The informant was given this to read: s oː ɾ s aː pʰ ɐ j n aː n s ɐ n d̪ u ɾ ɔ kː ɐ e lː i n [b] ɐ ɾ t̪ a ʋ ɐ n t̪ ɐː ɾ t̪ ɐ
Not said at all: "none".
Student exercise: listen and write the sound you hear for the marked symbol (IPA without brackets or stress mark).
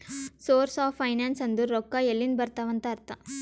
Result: b